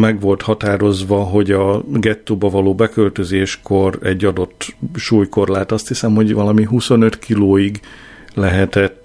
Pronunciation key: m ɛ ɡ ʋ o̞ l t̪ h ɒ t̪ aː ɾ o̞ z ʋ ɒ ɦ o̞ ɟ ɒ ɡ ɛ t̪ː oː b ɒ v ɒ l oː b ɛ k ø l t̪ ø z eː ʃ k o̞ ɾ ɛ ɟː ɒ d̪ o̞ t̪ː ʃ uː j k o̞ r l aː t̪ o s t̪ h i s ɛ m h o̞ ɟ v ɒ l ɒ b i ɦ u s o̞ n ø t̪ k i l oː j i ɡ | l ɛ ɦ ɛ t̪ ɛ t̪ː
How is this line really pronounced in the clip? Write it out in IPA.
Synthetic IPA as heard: m ɛ ɡ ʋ o̞ l t̪ h ɒ t̪ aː ɾ o̞ z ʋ ɒ ɦ o̞ ɟ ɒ ɡ ɛ t̪ː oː b ɒ v ɒ l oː b ɛ k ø l t̪ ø z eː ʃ k o̞ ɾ ɛ ɟː ɒ d̪ o̞ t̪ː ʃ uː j k o̞ r l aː t̪ ɒ s t̪ h i s ɛ m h o̞ ɟ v ɒ l ɒ m i ɦ u s o̞ n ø t̪ k i l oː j i ɡ | l ɛ ɦ ɛ t̪ ɛ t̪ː